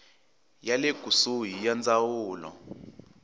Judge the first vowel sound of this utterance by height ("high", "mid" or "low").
low